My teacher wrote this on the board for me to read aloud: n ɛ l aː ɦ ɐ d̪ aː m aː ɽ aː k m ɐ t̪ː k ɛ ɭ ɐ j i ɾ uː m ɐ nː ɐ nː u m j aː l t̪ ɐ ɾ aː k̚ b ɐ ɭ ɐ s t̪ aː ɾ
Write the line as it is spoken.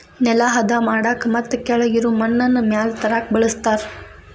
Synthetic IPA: n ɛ l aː ɦ ɐ d̪ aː m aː ɽ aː k m ɐ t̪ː k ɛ ɭ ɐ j i ɾ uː m ɐ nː ɐ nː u m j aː l t̪ ɐ ɾ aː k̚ b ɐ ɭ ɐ s t̪ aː ɾ